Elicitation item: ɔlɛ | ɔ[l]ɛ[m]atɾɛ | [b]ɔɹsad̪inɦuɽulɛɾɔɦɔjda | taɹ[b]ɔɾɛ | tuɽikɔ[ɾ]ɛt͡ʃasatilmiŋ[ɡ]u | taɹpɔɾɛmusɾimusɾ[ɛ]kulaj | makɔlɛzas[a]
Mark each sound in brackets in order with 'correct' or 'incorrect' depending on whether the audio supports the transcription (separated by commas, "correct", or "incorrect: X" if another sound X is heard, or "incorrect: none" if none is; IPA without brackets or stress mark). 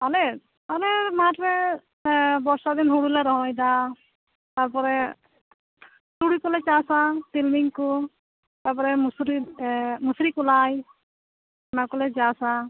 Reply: correct, correct, correct, incorrect: p, incorrect: l, incorrect: k, incorrect: i, correct